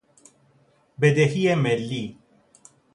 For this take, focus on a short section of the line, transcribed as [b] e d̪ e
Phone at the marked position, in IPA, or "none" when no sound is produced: b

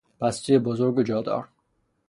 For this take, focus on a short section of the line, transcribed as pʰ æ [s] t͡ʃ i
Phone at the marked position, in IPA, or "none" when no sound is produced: s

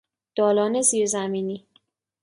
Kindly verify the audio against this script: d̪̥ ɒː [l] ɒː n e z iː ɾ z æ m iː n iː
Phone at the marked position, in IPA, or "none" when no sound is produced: l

